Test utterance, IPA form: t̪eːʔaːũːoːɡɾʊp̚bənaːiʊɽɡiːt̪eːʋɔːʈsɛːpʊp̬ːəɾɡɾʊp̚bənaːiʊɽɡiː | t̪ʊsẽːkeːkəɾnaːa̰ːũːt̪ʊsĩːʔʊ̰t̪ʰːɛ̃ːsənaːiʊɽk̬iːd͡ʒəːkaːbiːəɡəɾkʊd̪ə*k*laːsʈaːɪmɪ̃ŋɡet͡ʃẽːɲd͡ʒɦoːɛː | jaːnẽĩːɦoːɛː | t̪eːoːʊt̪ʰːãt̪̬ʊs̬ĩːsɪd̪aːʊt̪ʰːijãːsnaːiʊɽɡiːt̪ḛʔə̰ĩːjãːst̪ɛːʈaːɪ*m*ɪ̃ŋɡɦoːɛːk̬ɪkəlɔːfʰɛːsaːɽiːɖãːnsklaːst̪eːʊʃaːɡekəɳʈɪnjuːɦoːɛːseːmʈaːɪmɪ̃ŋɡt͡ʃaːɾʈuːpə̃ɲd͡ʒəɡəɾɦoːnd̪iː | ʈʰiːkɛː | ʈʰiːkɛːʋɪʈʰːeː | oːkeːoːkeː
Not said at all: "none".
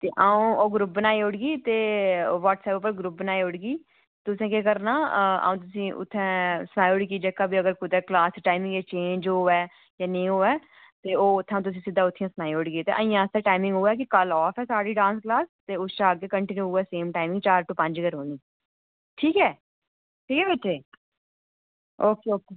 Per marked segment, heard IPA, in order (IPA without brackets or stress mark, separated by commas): k, m